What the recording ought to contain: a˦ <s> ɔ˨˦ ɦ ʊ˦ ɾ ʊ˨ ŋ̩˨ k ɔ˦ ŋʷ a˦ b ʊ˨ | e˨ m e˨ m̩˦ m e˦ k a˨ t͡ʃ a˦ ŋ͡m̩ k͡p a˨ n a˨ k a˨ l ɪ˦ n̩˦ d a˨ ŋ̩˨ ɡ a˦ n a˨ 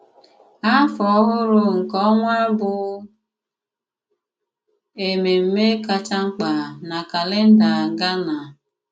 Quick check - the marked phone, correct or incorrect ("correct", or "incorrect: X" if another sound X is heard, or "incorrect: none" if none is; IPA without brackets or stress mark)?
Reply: incorrect: f